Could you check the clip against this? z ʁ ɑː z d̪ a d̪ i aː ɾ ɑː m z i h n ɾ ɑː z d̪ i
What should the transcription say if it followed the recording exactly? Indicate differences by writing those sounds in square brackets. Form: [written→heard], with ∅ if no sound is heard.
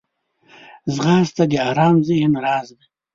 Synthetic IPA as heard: z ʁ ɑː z [d̪→t̪] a d̪ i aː ɾ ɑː m z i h n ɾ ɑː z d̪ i